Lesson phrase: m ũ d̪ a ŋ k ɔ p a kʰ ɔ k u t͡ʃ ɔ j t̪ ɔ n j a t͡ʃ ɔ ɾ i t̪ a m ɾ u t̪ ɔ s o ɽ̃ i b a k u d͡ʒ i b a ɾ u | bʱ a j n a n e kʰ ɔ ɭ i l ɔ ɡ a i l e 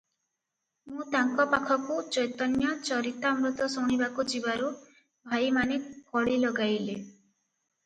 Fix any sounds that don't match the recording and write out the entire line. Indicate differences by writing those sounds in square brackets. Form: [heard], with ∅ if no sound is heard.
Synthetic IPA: m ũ [t̪] a ŋ k ɔ p a kʰ ɔ k u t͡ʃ ɔ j t̪ ɔ n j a t͡ʃ ɔ ɾ i t̪ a m ɾ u t̪ ɔ s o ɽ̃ i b a k u d͡ʒ i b a ɾ u | bʱ a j [m] a n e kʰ ɔ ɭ i l ɔ ɡ a [j] l e

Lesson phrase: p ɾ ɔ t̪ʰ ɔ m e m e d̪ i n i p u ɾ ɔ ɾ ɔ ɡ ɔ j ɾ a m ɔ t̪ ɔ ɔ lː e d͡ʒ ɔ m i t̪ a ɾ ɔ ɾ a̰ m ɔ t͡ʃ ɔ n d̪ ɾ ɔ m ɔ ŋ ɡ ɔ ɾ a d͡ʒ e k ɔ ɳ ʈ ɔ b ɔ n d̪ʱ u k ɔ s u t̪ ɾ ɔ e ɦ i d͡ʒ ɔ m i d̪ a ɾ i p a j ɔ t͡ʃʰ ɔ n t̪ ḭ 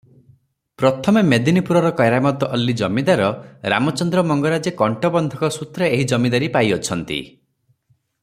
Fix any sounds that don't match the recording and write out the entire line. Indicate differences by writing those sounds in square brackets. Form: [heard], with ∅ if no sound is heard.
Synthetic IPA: p ɾ ɔ t̪ʰ ɔ m e m e d̪ i n i p u ɾ ɔ ɾ ɔ [k] ɔ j ɾ a m ɔ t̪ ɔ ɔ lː [i] d͡ʒ ɔ m i [d̪] a ɾ ɔ ɾ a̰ m ɔ t͡ʃ ɔ n d̪ ɾ ɔ m ɔ ŋ ɡ ɔ ɾ a d͡ʒ e k ɔ ɳ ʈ ɔ b ɔ n d̪ʱ [ɔ] k ɔ s u t̪ ɾ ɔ e ɦ i d͡ʒ ɔ m i d̪ a ɾ i p a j ɔ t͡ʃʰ ɔ n t̪ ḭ

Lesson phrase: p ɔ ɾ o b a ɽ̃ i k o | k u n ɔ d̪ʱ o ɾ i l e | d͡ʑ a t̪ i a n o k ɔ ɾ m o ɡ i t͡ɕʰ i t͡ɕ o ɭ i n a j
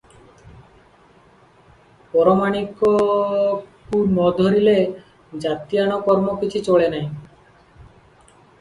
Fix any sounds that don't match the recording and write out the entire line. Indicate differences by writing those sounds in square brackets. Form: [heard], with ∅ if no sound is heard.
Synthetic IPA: p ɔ ɾ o [m] a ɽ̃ i k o | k u n ɔ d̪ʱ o ɾ i l e | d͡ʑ a t̪ i a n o k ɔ ɾ m o [k] i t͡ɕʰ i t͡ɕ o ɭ [e] n a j

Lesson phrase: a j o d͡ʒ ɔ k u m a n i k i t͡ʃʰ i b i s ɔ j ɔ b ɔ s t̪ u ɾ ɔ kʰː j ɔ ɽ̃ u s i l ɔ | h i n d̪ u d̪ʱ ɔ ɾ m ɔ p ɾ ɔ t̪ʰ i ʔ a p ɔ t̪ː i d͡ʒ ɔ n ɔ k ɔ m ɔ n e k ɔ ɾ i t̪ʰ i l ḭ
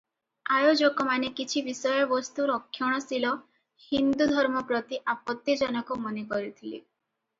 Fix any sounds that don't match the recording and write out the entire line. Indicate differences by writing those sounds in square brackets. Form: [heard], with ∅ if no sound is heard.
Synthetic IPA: a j o d͡ʒ ɔ k [ɔ] m a n [e] k i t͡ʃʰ i b i s ɔ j ɔ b ɔ s t̪ u ɾ ɔ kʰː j ɔ ɽ̃ [ɔ] s i l ɔ | h i n d̪ u d̪ʱ ɔ ɾ m ɔ p ɾ ɔ [t̪] i ʔ a p ɔ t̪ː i d͡ʒ ɔ n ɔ k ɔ m ɔ n e k ɔ ɾ i t̪ʰ i l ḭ

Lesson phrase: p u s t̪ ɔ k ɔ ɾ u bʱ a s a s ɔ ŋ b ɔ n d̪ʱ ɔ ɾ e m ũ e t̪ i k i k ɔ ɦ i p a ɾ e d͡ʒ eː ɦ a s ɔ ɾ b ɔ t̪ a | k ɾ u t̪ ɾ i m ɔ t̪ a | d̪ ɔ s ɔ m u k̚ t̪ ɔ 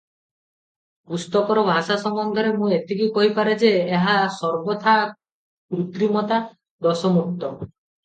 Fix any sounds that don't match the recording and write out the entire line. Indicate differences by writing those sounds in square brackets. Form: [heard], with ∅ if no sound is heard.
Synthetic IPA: p u s t̪ ɔ k ɔ ɾ [ɔ] bʱ a s a s ɔ ŋ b ɔ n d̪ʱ ɔ ɾ e m ũ e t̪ i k i k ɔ ɦ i p a ɾ e d͡ʒ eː ɦ a s ɔ ɾ b ɔ [t̪ʰ] a | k ɾ u t̪ ɾ i m ɔ t̪ a | d̪ ɔ s ɔ m u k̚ t̪ ɔ

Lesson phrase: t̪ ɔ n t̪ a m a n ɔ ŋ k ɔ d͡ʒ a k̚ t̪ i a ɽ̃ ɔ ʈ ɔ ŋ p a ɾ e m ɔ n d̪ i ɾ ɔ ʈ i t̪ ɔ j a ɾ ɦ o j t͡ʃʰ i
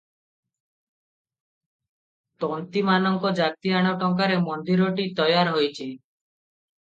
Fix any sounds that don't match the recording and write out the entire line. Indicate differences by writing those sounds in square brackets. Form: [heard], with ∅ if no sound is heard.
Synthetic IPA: t̪ ɔ n t̪ [i] m a n ɔ ŋ k ɔ d͡ʒ a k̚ t̪ i a ɽ̃ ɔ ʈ ɔ ŋ [k] a ɾ e m ɔ n d̪ i ɾ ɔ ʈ i t̪ ɔ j a ɾ ɦ o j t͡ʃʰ i

